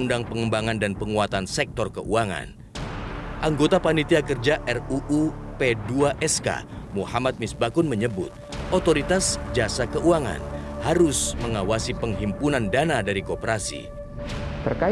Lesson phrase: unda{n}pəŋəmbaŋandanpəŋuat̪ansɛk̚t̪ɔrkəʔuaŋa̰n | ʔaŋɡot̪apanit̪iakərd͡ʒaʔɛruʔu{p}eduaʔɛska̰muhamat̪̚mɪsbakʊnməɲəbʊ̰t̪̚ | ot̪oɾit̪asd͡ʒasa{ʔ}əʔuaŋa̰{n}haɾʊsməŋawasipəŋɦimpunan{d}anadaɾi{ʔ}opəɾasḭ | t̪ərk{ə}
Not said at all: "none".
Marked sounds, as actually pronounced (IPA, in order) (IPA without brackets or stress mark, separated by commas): ŋ, p, k, n, d, k, a